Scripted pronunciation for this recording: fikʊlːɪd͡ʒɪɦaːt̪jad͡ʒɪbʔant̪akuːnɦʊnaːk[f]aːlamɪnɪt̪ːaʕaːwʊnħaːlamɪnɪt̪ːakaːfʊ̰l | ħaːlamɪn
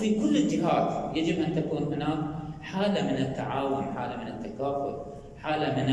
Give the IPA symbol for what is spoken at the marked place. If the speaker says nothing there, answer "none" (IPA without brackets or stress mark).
ħ